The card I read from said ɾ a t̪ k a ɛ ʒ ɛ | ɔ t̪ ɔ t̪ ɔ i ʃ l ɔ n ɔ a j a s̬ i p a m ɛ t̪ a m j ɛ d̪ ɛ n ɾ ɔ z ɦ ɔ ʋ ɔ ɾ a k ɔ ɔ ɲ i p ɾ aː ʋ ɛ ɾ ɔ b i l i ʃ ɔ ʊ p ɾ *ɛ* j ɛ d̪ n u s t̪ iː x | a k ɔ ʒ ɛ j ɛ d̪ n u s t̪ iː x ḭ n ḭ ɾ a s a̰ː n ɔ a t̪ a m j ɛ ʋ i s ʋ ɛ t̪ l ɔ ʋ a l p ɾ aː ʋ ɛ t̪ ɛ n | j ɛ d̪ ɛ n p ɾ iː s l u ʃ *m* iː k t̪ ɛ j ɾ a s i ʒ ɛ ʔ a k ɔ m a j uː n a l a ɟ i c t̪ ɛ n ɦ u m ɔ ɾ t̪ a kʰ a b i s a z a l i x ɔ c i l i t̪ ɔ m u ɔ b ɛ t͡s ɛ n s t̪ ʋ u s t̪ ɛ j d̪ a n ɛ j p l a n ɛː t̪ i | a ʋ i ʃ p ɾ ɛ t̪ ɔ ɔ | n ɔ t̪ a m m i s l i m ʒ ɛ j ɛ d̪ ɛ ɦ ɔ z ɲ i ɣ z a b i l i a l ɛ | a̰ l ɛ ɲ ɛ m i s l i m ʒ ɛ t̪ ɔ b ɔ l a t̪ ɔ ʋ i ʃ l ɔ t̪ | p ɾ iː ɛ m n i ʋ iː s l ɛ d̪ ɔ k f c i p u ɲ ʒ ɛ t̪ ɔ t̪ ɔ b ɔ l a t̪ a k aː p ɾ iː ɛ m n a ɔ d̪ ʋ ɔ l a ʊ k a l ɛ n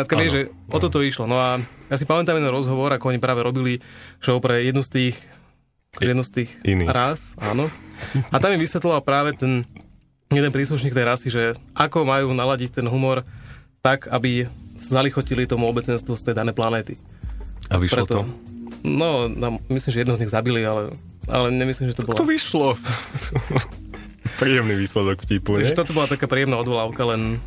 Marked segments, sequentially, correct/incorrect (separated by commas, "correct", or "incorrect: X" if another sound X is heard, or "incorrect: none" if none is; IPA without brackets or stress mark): correct, incorrect: ɲ